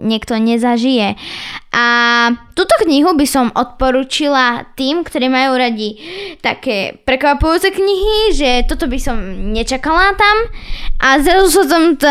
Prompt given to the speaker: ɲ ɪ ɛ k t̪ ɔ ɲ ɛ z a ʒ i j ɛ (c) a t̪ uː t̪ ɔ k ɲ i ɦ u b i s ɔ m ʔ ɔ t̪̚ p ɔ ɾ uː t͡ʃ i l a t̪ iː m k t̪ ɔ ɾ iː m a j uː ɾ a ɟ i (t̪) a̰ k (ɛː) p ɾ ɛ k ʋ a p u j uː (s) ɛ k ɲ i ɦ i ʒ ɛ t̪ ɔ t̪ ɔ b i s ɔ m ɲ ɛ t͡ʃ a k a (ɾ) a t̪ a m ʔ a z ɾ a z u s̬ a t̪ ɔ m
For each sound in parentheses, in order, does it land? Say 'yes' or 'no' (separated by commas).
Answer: no, yes, yes, no, no